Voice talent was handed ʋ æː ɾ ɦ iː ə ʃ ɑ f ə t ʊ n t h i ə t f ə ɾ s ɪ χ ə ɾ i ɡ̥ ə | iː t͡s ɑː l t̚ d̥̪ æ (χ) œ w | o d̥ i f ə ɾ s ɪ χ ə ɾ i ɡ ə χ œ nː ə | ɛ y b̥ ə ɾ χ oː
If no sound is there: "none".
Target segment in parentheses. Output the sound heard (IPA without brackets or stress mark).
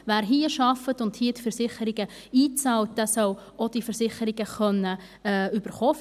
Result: s